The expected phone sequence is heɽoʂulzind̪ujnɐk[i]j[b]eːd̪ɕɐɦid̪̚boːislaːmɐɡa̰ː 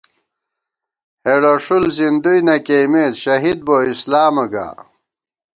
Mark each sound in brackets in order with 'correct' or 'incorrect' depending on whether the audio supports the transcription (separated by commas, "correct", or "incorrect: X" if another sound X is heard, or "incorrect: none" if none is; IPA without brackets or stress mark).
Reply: incorrect: e, incorrect: m